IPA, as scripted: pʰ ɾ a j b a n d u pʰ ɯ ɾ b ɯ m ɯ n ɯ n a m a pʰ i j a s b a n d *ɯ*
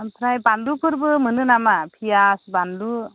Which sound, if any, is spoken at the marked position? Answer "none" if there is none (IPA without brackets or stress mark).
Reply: u